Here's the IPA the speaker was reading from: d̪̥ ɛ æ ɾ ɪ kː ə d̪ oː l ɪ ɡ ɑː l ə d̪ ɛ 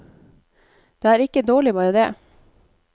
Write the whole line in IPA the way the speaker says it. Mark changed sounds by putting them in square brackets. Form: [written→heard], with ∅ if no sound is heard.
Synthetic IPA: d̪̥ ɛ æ ɾ ɪ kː ə d̪ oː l ɪ [ɡ→b] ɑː [l→ɾ] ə d̪ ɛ